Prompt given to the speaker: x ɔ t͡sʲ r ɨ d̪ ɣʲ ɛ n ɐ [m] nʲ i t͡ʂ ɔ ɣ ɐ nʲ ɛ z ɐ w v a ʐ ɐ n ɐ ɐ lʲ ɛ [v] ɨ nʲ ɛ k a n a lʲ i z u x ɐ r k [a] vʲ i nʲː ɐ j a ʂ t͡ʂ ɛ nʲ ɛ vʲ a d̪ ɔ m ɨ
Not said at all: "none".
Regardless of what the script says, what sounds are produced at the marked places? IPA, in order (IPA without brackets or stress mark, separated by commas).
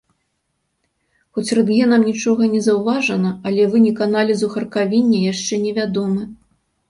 m, v, a